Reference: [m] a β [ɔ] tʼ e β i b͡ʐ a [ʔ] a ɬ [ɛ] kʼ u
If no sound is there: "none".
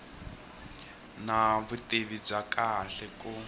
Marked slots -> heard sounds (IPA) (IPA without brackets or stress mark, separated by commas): n, u, k, ɛ